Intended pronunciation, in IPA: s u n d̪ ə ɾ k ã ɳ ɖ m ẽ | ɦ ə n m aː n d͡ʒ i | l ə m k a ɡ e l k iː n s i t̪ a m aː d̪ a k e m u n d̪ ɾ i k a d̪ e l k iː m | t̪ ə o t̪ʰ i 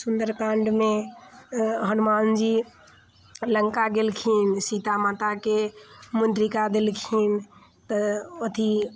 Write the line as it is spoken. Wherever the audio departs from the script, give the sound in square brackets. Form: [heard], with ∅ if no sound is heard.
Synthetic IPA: s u n d̪ ə ɾ k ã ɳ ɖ m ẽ | ɦ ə n m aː n d͡ʒ i | l ə [ŋ] k a ɡ e l [kʰ] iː n s i t̪ a m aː [t̪] a k e m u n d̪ ɾ i k a d̪ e l [kʰ] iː [n] | t̪ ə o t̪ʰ i